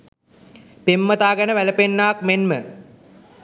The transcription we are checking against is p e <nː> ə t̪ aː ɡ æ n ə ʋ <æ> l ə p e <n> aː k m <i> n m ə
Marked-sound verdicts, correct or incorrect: incorrect: mː, correct, incorrect: nː, incorrect: e

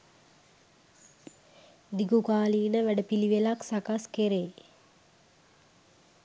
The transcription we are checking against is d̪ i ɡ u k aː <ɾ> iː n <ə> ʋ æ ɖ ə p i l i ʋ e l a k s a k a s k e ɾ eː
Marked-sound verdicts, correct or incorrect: incorrect: l, correct

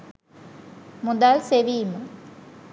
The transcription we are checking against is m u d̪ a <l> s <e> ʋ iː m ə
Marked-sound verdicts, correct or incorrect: correct, correct

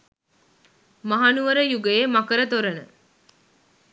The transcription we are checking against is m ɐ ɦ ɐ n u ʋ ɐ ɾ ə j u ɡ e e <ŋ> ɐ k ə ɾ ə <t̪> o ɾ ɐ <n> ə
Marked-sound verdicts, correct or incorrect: incorrect: m, correct, correct

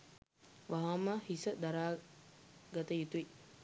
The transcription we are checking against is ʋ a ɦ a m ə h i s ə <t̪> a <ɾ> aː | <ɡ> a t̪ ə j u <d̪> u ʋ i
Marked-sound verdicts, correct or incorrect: incorrect: d̪, correct, correct, incorrect: t̪

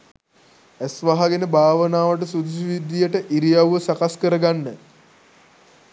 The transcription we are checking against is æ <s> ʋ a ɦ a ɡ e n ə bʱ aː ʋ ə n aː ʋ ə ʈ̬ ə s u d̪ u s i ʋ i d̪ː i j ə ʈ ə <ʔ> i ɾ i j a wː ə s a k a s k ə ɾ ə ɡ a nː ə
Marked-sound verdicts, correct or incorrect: correct, correct

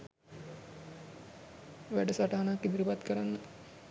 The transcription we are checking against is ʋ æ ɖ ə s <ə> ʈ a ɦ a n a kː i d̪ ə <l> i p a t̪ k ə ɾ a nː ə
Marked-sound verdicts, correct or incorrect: incorrect: a, incorrect: ɾ

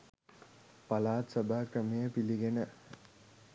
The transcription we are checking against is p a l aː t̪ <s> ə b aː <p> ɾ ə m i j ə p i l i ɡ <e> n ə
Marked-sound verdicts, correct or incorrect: correct, incorrect: k, correct

